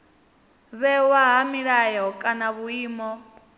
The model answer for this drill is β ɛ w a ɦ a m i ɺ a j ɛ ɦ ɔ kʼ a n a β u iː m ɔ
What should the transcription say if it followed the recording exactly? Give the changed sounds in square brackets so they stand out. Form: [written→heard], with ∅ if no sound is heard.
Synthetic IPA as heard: β ɛ w a ɦ a m i ɺ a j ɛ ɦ ɔ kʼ a n a β u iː m ɔ